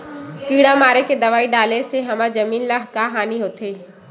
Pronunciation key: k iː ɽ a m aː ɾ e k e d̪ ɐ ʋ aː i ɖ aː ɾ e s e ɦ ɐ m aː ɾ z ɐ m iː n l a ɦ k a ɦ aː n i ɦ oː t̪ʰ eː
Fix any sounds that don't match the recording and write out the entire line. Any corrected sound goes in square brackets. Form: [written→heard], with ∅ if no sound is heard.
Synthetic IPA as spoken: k iː ɽ a m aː ɾ e k e d̪ ɐ ʋ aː i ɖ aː [ɾ→l] e s e ɦ ɐ m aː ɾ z ɐ m iː n l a ɦ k a ɦ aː n i ɦ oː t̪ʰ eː

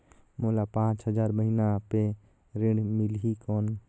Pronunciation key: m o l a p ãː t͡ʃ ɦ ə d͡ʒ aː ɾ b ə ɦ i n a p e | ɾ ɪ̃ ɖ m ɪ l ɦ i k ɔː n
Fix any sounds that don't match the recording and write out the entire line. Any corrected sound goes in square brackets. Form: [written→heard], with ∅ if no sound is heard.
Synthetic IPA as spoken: m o l a p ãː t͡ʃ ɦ ə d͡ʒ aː ɾ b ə ɦ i n a p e | ɾ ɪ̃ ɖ m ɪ l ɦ i k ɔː n

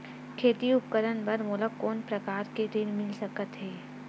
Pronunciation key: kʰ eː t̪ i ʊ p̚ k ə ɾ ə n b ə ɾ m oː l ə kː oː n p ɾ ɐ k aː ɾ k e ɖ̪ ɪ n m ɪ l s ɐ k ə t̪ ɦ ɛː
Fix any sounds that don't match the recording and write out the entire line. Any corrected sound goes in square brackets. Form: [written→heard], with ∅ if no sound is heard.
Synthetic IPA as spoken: kʰ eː t̪ i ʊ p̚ k ə ɾ ə n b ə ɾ m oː l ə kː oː n p ɾ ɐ k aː ɾ k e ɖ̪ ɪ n m ɪ l s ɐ k ə t̪ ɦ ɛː

